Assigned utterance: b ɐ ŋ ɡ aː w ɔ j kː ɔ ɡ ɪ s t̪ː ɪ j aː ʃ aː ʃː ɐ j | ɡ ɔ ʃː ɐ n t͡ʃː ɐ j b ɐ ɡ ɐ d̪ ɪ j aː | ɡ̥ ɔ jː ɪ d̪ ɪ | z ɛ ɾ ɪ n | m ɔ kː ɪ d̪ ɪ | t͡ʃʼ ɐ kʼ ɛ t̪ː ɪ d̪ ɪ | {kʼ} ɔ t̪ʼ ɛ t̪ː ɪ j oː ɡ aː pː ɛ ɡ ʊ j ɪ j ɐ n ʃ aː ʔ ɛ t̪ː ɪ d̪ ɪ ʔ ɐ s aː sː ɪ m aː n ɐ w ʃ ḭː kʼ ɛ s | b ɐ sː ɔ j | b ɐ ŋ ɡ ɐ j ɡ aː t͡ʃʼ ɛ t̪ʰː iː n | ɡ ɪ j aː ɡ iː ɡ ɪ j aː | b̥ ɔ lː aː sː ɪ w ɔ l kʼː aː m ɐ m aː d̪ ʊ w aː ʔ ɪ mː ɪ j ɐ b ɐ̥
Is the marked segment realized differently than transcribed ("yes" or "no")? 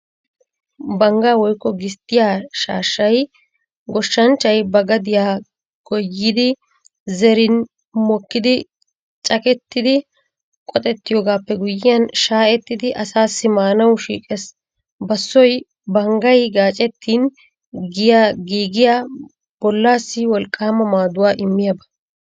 no